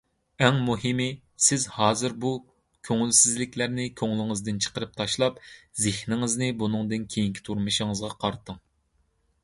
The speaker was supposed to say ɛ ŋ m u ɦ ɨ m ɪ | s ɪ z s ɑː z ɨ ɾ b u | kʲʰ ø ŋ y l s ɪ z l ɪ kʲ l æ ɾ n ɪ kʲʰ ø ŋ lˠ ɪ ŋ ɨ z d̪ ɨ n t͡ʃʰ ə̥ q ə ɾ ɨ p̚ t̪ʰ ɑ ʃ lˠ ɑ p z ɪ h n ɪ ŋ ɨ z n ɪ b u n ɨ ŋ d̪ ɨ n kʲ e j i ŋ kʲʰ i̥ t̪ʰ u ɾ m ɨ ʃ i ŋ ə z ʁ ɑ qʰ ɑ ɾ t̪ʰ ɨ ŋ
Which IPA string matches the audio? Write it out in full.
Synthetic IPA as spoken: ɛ ŋ m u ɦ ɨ m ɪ | s ɪ z h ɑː z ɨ ɾ b u | kʲʰ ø ŋ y l s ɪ z l ɪ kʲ l æ ɾ n ɪ kʲʰ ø ŋ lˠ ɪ ŋ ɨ z d̪ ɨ n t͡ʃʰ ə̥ q ə ɾ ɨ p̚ t̪ʰ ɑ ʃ lˠ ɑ p z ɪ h n ɪ ŋ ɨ z n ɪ b u n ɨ ŋ d̪ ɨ n kʲʰ e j i ŋ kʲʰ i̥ t̪ʰ u ɾ m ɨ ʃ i ŋ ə z ʁ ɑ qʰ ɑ ɾ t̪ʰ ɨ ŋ